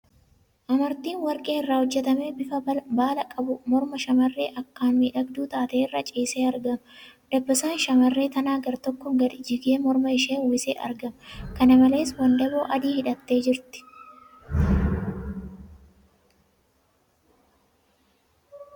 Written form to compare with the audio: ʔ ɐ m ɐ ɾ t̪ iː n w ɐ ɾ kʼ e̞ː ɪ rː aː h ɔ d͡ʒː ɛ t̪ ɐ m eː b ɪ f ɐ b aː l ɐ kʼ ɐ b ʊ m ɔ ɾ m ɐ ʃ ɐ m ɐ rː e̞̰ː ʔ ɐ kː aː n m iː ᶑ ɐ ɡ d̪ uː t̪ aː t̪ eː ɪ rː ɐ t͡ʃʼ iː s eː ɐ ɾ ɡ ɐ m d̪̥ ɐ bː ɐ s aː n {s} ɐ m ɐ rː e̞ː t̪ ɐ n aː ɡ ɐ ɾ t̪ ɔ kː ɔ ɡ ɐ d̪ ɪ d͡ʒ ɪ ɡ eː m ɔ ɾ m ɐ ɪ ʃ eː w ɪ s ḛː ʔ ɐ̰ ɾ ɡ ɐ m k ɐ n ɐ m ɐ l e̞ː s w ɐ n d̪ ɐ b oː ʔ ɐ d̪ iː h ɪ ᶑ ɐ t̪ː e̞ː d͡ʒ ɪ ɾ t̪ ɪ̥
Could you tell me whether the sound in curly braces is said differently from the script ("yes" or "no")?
yes